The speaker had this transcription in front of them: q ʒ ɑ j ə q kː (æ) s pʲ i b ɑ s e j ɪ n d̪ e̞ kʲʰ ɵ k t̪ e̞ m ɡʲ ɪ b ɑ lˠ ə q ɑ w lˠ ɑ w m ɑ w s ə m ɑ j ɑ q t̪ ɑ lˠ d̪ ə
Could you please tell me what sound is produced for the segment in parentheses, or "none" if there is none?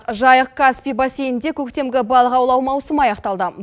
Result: a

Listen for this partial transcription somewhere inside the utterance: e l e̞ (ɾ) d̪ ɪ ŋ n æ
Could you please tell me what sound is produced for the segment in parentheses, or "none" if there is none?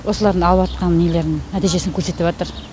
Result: ɾ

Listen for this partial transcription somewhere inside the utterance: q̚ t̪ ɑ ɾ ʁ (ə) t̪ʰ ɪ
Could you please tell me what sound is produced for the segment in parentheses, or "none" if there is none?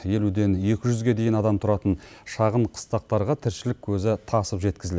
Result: ɑ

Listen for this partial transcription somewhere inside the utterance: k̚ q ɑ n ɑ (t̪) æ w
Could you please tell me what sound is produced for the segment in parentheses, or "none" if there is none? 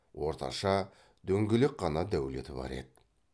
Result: d̪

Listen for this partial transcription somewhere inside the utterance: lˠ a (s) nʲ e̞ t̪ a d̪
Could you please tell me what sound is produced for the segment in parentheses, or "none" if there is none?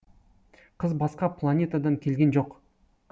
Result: none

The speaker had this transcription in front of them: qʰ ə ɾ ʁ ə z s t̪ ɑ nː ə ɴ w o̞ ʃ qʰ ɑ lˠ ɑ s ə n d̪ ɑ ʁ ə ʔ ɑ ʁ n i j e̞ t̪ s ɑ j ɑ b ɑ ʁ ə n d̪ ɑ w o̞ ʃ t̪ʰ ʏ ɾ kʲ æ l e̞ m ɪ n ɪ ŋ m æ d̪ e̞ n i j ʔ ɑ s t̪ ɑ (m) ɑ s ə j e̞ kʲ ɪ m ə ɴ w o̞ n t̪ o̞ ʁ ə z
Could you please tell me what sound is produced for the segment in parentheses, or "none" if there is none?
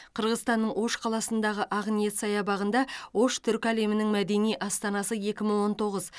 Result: n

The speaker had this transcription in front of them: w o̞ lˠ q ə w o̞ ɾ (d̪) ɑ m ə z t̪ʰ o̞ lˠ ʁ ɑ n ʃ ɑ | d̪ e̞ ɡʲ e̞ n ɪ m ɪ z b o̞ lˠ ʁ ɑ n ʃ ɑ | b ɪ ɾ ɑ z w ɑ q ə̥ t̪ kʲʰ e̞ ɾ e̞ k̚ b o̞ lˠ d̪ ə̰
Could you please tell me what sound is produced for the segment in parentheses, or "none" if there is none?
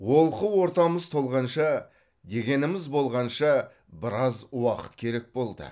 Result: t̪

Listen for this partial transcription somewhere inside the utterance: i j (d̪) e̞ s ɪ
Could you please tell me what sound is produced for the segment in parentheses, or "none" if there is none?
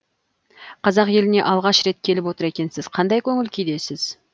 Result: d̪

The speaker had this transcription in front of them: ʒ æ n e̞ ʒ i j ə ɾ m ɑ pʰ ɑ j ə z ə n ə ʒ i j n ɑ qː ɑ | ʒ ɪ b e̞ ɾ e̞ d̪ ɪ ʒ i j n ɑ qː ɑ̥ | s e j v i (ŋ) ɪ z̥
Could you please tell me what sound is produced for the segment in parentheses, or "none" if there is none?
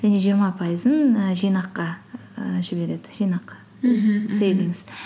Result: ŋ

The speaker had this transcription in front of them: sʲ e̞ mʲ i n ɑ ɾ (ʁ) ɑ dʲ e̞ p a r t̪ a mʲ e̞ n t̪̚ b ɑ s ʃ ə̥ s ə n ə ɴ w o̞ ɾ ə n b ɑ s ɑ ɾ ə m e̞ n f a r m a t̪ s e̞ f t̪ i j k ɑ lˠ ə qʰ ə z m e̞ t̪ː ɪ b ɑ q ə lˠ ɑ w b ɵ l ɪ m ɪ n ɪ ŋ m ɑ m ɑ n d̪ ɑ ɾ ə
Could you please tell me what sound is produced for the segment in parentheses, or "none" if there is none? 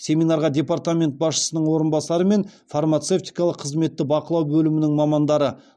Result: ʁ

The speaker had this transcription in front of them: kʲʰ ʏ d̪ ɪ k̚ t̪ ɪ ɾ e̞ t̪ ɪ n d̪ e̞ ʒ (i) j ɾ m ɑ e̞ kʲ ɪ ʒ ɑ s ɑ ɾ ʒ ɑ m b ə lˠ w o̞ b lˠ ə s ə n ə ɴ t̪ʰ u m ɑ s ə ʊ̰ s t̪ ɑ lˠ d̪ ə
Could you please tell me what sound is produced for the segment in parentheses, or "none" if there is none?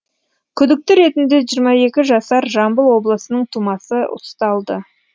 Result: i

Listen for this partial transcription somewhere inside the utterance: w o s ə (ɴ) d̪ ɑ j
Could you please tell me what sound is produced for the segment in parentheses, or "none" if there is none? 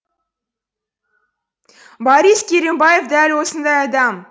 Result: n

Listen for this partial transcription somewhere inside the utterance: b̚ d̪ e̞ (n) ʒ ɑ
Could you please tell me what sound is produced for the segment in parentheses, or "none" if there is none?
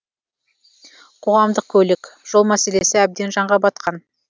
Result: n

